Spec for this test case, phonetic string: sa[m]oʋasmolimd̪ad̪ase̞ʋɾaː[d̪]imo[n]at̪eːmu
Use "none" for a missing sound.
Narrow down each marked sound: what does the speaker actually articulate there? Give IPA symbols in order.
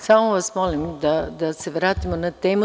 m, t̪, n

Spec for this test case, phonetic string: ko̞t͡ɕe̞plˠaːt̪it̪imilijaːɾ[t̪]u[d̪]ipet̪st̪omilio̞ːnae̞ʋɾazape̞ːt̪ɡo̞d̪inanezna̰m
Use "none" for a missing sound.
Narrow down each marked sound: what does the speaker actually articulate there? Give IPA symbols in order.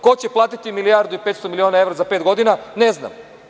d̪, none

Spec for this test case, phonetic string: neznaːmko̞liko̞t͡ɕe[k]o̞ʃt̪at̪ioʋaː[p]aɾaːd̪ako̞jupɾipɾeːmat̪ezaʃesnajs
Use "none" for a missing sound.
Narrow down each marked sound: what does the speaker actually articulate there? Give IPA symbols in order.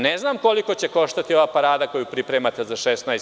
k, p

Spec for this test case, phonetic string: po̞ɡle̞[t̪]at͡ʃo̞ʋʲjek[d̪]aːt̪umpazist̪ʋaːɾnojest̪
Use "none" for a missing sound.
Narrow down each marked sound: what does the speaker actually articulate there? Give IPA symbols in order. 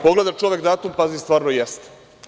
d̪, d̪

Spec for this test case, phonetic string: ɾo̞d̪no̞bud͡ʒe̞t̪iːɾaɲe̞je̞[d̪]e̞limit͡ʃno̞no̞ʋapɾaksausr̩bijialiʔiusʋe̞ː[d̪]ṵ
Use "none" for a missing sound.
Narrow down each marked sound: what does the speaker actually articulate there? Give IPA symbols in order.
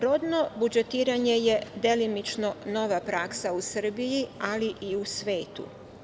d̪, t̪

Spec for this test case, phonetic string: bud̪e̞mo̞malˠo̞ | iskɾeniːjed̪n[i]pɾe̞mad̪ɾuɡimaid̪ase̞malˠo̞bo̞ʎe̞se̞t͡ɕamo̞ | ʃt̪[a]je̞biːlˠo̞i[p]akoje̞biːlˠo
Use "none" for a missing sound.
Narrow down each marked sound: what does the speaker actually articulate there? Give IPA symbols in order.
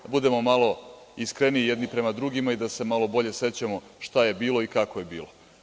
i, a, k

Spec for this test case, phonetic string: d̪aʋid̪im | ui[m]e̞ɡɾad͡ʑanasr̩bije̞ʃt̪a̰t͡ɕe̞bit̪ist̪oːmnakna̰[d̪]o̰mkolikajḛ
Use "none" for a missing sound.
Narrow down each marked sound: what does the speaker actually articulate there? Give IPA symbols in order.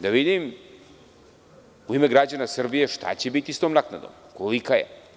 m, d̪

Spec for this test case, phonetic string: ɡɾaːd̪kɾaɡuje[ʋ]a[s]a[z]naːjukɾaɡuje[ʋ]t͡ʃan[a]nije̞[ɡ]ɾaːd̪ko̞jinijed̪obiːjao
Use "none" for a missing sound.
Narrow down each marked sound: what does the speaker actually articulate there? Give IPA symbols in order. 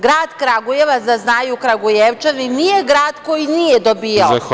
ʋ, z, z, ʋ, i, ɡ

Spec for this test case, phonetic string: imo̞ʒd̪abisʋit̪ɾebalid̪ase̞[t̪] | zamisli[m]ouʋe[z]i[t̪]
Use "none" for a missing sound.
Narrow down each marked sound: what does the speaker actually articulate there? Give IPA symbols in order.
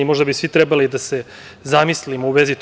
none, m, z, t̪

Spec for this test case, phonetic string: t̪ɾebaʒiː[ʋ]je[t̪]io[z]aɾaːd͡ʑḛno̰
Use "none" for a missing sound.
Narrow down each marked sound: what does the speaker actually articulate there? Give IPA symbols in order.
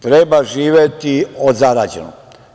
ʋ, t̪, z

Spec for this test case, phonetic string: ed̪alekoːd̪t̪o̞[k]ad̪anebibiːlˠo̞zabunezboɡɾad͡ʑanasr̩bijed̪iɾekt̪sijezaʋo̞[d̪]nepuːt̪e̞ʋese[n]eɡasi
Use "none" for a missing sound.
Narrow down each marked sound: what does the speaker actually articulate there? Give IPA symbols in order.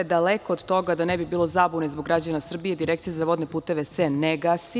ɡ, d̪, n

